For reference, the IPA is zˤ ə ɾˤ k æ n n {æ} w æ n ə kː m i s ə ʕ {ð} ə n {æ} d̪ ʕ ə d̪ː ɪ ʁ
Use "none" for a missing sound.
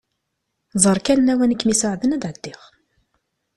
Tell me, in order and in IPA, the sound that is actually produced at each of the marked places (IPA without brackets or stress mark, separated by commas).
æ, ð, æ